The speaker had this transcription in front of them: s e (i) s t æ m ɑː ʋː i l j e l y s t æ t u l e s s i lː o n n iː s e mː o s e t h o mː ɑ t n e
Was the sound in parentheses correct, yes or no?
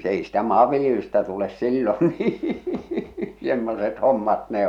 yes